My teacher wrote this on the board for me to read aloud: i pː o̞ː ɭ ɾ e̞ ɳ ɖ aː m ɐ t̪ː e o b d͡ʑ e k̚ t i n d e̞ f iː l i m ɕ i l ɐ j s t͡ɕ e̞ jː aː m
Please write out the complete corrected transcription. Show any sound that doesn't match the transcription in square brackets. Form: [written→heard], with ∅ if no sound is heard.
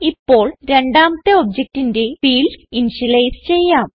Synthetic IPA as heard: i pː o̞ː ɭ ɾ e̞ ɳ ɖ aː m ɐ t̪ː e o b d͡ʑ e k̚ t i n d e̞ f iː l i [m→n] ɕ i l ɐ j s t͡ɕ e̞ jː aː m